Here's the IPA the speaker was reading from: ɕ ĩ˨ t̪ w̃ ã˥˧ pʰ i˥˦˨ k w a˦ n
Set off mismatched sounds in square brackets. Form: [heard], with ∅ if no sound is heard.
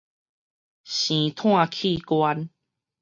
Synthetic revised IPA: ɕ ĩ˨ [t̪ʰ] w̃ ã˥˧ [kʰ] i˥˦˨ k w a˦ n